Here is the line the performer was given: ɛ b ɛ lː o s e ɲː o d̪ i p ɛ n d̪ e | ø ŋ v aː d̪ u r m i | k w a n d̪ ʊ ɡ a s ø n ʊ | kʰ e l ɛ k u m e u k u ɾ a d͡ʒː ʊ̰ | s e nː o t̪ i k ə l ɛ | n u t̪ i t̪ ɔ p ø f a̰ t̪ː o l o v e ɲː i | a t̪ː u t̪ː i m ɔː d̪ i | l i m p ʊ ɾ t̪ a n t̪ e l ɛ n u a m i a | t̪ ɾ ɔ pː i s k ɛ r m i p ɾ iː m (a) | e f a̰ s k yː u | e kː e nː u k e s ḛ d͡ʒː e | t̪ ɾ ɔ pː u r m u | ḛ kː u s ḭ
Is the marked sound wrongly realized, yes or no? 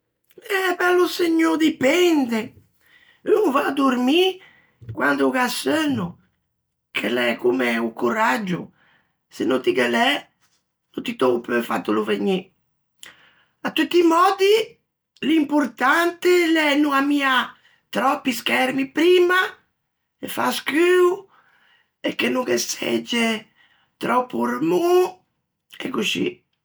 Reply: no